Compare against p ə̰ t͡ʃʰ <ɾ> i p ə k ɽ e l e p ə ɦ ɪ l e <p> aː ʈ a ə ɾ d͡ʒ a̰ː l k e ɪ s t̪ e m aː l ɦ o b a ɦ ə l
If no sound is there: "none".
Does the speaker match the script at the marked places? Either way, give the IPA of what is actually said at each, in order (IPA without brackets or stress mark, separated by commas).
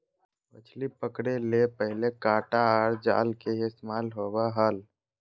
l, k